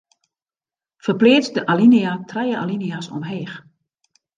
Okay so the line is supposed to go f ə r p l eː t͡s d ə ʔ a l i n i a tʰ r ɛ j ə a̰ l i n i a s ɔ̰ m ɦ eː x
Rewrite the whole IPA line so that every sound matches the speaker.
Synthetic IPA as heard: f ə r p l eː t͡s d ə ʔ a l i n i a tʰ r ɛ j ə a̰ l i n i a s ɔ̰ m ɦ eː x